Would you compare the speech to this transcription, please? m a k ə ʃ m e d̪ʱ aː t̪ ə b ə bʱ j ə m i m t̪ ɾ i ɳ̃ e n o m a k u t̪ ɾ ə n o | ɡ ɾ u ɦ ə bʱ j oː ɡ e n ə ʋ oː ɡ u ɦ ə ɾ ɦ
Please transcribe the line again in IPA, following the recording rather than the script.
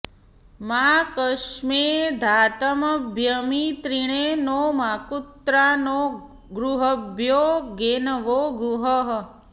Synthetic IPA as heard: m a k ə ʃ m e d̪ʱ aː t̪ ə m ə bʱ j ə m i t̪ ɾ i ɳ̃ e n o m a k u t̪ ɾ a n o | ɡ ɾ u ɦ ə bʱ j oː ɡ e n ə ʋ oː ɡ u ɦ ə ɦ